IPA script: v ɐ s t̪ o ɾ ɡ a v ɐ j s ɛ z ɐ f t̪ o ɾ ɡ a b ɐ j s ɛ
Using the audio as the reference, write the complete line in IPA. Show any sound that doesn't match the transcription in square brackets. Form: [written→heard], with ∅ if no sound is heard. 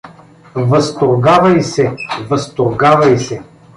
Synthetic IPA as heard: v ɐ s t̪ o ɾ ɡ a v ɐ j s ɛ [z→v] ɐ [f→s] t̪ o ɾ ɡ a [b→v] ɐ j s ɛ